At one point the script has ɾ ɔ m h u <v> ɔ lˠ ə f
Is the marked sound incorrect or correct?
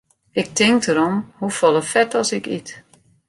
incorrect